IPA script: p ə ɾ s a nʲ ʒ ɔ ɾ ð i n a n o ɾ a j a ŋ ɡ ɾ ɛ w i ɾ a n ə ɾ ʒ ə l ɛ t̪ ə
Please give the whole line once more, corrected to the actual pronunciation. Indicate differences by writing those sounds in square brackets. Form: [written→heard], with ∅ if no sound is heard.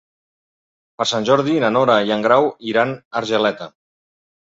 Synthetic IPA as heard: p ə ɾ s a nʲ ʒ ɔ ɾ ð i n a n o ɾ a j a ŋ ɡ ɾ [ɛ→a] w i ɾ a n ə ɾ ʒ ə l ɛ t̪ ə